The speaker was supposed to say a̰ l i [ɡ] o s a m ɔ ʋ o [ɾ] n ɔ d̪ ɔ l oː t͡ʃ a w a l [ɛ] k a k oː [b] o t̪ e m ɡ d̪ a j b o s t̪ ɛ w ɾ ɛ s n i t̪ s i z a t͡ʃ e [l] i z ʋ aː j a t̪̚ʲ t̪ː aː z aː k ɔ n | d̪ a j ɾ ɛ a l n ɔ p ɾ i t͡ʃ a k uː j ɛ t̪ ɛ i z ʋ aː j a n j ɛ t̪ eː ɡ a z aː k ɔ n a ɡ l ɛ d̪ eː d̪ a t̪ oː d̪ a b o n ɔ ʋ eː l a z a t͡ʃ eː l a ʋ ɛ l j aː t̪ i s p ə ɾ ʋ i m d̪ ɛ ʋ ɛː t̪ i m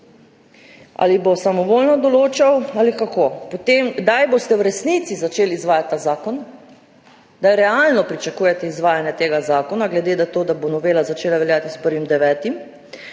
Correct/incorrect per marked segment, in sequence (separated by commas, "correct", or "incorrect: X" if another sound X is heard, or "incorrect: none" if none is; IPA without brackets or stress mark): incorrect: b, incorrect: l, incorrect: i, incorrect: p, correct